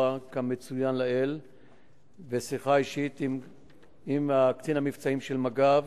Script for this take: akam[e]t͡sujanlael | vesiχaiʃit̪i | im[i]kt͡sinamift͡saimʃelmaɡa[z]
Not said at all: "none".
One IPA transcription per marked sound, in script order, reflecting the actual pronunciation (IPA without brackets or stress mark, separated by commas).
e, a, v